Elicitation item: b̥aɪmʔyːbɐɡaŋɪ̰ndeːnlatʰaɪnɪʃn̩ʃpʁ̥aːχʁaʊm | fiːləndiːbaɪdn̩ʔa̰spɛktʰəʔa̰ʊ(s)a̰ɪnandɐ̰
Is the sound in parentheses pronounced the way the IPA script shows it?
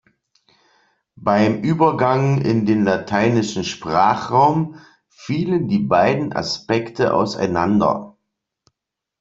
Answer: yes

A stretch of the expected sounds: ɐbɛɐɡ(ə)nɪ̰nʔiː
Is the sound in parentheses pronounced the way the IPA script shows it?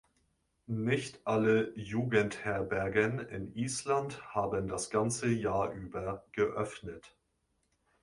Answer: yes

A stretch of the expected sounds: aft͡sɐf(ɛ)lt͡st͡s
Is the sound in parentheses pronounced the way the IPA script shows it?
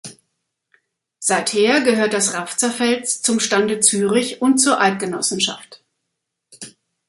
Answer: yes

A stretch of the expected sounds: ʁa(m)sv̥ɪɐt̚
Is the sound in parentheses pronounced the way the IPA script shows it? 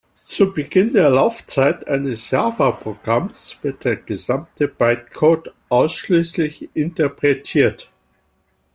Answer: yes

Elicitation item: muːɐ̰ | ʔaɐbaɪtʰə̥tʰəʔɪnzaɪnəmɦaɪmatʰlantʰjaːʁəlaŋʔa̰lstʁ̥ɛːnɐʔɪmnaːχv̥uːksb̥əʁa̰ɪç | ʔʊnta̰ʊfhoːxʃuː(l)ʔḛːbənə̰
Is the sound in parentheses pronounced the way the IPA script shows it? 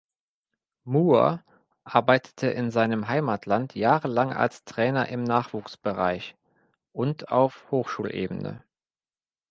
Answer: yes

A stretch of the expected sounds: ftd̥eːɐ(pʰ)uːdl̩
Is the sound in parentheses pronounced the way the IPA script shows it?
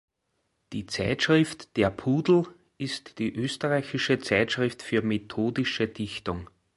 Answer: yes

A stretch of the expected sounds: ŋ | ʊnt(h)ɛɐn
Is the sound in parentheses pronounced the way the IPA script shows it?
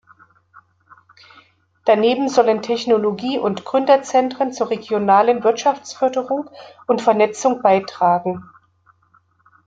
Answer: no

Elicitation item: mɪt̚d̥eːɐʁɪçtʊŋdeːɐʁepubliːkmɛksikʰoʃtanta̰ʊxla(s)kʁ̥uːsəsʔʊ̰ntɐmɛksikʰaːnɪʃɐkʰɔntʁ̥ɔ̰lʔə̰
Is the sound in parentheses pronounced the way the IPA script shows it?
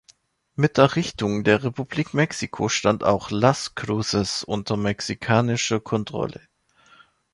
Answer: yes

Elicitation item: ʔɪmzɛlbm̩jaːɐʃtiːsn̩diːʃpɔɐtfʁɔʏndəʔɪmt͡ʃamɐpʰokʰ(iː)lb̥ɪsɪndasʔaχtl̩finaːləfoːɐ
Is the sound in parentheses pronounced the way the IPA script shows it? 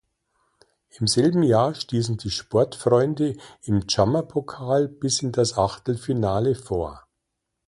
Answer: no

